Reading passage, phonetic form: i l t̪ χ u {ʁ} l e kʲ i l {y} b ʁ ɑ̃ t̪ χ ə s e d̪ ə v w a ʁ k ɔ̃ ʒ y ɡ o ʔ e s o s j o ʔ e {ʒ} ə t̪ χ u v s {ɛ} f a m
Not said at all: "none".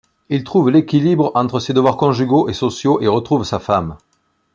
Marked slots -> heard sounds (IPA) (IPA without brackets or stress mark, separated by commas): v, i, ʁ, a